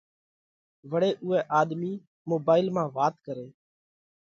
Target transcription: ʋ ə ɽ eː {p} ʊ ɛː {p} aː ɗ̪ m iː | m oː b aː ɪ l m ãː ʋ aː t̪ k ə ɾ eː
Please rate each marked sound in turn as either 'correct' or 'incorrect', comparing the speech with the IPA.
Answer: incorrect: ʔ, incorrect: ʔ

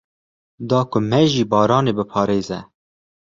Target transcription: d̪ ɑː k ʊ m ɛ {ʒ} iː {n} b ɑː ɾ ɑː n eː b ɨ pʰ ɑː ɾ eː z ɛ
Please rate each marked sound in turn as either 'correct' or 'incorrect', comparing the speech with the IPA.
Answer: correct, incorrect: none

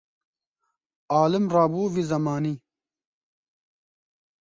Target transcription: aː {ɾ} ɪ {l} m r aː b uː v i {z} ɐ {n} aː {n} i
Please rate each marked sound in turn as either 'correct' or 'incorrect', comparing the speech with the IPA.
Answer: incorrect: l, incorrect: none, correct, incorrect: m, correct

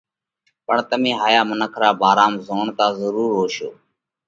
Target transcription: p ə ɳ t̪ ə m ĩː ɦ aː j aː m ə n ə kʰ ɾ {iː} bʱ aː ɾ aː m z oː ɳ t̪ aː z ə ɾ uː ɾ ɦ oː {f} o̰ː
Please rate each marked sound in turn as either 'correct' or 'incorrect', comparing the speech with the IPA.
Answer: incorrect: aː, incorrect: ʃ

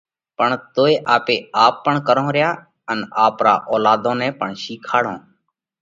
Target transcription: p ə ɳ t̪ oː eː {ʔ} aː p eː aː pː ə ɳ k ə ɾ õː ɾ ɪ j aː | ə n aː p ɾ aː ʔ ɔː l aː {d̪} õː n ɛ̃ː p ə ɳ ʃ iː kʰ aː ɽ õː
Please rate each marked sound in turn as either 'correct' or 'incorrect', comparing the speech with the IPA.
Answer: correct, correct

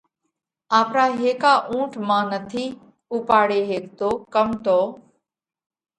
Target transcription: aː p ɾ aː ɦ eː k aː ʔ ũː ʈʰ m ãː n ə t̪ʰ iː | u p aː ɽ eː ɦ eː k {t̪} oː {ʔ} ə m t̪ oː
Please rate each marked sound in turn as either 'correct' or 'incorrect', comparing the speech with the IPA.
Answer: correct, incorrect: k

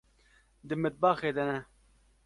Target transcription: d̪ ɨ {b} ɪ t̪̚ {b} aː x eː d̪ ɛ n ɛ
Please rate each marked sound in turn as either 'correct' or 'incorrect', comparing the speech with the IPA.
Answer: incorrect: m, correct

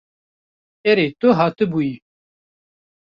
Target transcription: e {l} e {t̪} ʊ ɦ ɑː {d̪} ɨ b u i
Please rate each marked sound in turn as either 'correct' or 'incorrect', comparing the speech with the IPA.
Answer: incorrect: ɾ, correct, incorrect: t̪

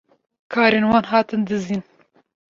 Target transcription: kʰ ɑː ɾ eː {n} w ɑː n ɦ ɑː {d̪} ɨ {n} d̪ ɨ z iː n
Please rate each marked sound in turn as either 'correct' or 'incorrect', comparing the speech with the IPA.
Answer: correct, incorrect: t̪, correct

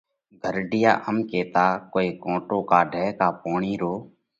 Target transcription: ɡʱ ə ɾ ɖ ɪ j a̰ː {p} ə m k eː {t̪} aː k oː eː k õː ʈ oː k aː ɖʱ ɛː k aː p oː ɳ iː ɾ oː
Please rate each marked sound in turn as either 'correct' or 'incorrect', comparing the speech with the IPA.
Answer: incorrect: ʔ, correct

